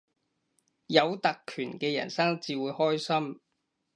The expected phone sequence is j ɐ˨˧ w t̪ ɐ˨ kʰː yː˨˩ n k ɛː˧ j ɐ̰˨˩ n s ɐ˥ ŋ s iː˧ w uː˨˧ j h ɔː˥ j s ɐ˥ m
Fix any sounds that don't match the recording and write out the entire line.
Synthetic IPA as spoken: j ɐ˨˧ w t̪ ɐ˨ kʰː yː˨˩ n k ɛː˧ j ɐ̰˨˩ n s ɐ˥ ŋ t͡s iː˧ w uː˨˧ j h ɔː˥ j s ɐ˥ m